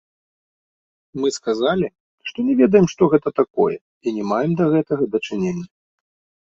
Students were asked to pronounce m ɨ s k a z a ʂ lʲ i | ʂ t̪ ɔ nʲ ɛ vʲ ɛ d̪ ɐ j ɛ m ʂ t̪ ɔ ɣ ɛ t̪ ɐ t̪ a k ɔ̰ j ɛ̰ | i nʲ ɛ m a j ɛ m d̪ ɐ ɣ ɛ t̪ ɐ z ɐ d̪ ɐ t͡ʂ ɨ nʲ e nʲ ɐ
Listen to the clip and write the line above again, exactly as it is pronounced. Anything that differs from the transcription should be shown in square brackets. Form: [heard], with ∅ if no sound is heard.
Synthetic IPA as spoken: m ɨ s k a z a [∅] lʲ i | ʂ t̪ ɔ nʲ ɛ vʲ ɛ d̪ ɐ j ɛ m ʂ t̪ ɔ ɣ ɛ t̪ ɐ t̪ a k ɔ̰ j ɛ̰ | i nʲ ɛ m a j ɛ m d̪ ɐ ɣ ɛ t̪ ɐ [ɣ] ɐ d̪ ɐ t͡ʂ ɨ nʲ e [nʲː] ɐ